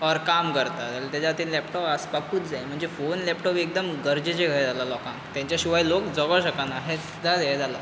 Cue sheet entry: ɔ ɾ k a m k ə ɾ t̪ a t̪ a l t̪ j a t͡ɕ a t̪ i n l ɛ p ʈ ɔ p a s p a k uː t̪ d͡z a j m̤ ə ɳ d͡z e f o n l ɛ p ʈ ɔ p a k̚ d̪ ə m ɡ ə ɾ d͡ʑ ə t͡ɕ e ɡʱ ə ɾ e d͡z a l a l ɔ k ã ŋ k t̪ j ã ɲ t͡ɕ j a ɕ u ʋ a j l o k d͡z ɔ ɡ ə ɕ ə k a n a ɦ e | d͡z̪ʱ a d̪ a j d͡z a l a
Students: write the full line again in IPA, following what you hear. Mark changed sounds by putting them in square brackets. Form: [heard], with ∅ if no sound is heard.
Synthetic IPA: ɔ ɾ k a m k ə ɾ t̪ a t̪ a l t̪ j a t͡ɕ a t̪ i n l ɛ p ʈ ɔ p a s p a k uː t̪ d͡z a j m̤ ə ɳ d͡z e f o n l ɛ p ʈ ɔ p [e] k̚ d̪ ə m ɡ ə ɾ d͡ʑ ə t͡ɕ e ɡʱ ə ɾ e d͡z a l a l ɔ k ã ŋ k t̪ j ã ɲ t͡ɕ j a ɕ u ʋ a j l o k d͡z ɔ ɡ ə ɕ ə k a n a ɦ e | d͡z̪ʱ a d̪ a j d͡z a l a